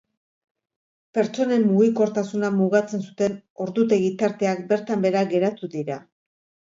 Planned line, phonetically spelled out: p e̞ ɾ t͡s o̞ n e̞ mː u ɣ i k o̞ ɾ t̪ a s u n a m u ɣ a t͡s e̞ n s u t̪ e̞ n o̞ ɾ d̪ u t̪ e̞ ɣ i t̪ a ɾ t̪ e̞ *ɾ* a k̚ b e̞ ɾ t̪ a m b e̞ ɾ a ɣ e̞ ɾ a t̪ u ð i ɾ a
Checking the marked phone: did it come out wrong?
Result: yes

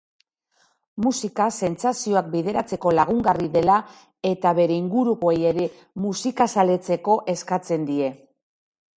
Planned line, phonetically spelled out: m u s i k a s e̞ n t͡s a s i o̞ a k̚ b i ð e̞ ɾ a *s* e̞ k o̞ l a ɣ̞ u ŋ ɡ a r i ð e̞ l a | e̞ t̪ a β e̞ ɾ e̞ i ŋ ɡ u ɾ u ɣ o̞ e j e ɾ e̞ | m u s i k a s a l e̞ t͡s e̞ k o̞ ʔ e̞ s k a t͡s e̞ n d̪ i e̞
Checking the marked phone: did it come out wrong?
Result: yes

